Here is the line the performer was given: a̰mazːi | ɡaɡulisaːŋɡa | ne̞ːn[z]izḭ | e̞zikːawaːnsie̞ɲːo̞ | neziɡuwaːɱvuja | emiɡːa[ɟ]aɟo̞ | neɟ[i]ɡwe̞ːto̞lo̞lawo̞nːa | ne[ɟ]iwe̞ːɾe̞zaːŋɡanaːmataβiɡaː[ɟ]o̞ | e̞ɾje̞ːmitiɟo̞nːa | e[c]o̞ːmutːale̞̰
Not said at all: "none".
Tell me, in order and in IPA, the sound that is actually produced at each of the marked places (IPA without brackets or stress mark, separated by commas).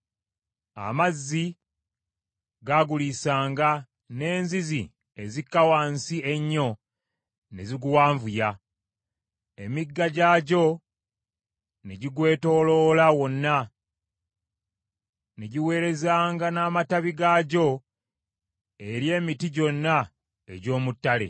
z, ɟ, i, ɟ, ɟ, ɟ